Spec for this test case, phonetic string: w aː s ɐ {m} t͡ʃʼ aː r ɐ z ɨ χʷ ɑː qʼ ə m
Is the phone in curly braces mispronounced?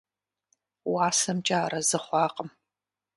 no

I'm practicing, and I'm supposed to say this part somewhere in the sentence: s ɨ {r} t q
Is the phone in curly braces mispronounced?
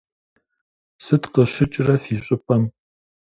yes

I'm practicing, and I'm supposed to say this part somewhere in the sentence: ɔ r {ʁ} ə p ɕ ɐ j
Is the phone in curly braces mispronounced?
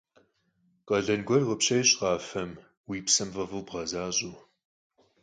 no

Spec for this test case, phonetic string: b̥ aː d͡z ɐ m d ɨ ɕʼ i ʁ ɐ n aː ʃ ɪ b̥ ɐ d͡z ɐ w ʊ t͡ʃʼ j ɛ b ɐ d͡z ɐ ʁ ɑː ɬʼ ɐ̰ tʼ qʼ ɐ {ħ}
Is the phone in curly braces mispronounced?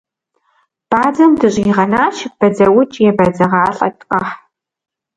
no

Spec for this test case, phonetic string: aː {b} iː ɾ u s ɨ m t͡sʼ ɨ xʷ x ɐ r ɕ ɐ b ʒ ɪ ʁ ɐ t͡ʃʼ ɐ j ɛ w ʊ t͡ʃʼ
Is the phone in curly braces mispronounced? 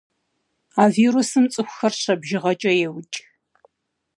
yes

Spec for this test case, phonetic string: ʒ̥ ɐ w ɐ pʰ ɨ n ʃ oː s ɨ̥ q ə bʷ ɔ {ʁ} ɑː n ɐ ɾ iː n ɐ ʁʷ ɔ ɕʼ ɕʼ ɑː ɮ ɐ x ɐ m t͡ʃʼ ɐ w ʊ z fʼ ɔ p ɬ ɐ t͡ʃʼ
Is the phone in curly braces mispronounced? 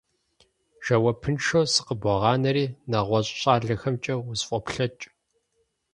no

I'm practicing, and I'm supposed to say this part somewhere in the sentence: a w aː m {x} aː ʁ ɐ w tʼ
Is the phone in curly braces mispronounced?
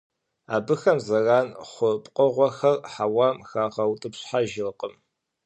no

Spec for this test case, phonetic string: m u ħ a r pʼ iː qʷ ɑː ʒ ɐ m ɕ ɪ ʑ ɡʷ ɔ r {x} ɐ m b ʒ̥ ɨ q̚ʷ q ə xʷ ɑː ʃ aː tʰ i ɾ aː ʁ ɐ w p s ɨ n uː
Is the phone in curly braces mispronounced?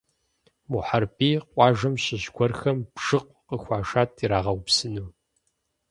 no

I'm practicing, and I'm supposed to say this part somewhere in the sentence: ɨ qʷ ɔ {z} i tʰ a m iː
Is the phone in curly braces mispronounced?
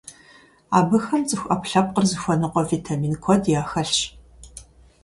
yes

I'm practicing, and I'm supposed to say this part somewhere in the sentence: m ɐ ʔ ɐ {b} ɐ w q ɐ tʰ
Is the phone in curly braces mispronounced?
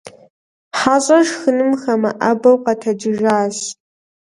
no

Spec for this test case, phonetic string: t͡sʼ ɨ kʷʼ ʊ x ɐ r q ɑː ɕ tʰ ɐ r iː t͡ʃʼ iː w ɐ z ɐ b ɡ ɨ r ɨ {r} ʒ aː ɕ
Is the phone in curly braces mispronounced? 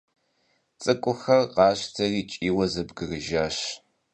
yes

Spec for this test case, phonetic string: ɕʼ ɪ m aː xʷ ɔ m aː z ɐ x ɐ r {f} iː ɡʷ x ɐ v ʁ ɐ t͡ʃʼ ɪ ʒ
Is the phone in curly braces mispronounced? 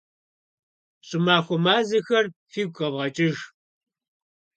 no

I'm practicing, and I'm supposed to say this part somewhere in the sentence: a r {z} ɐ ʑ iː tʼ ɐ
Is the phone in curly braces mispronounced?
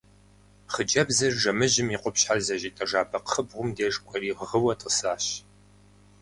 no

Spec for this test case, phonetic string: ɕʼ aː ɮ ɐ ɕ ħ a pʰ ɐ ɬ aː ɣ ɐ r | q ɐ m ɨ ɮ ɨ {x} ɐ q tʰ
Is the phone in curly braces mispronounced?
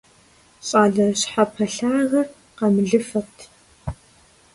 yes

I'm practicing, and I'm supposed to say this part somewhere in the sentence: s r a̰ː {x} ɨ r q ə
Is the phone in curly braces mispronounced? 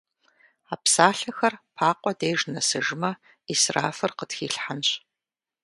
yes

